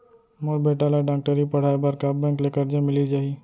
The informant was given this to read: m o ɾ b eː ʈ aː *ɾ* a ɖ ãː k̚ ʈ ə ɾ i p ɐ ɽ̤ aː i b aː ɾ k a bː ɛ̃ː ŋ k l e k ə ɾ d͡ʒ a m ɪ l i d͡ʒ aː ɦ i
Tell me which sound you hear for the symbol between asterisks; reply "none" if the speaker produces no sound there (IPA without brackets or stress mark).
l